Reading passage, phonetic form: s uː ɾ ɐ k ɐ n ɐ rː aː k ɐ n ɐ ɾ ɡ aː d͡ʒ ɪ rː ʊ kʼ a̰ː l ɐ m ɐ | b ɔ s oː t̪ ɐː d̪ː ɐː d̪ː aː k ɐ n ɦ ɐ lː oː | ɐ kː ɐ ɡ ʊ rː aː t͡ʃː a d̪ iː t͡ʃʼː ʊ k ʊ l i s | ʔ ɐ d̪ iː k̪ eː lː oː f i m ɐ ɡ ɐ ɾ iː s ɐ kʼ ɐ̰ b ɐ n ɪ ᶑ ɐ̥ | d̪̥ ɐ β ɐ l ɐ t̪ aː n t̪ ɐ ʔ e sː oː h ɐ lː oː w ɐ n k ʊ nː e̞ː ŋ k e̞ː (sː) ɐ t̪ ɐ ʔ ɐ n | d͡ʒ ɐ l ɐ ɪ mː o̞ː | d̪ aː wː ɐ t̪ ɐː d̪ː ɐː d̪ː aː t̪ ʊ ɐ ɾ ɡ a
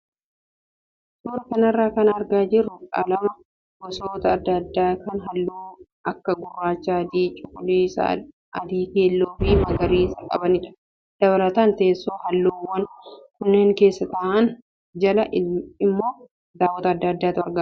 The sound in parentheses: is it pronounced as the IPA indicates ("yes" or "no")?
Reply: yes